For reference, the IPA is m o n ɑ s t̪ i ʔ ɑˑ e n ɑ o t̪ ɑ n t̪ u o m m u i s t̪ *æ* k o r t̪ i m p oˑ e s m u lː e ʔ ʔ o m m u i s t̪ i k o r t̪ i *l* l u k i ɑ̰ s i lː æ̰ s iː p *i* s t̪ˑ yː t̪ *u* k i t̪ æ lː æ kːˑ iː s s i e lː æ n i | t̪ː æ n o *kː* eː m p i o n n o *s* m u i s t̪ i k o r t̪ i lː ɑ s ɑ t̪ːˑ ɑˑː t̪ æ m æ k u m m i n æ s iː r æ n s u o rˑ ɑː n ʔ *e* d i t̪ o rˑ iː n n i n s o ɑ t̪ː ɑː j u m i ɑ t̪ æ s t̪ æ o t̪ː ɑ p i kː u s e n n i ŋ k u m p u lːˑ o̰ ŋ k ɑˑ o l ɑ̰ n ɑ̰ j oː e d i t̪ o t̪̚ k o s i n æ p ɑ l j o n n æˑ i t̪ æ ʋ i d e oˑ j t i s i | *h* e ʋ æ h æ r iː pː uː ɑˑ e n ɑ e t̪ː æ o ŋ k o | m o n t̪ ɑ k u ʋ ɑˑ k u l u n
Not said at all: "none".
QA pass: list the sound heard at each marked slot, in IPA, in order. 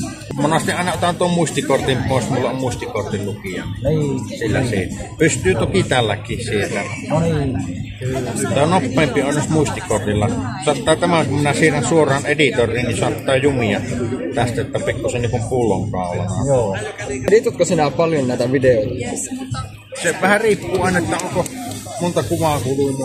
i, l, y, o, pː, s, e, s

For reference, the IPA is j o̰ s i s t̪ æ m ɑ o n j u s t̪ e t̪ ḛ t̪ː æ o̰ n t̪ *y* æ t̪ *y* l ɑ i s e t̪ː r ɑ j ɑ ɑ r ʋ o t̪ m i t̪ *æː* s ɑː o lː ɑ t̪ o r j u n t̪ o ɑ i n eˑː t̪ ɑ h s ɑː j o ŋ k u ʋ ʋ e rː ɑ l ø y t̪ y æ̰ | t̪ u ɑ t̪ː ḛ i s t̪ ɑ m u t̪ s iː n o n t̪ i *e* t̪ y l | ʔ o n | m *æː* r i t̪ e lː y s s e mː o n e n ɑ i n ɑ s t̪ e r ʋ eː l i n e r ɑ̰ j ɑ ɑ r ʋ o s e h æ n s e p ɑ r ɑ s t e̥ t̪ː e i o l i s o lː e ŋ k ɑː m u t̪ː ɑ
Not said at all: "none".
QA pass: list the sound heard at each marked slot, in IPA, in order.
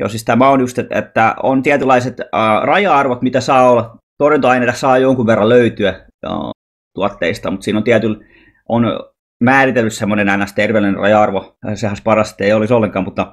i, y, æ, æ, æː

